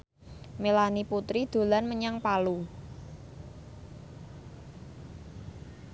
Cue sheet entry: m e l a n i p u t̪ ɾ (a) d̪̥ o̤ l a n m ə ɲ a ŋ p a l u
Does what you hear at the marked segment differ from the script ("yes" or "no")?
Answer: yes